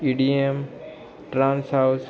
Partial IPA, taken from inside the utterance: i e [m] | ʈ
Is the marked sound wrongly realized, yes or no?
no